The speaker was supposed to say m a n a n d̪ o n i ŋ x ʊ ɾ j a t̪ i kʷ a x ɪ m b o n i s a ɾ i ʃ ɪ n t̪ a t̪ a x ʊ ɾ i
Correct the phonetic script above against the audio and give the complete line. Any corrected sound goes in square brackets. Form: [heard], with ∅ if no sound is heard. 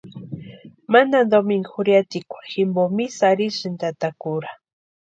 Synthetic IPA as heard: m a n a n d̪ o [m] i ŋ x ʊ ɾ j a t̪ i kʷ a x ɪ m b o [m] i s a ɾ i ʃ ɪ n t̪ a t̪ a [k] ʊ ɾ [a]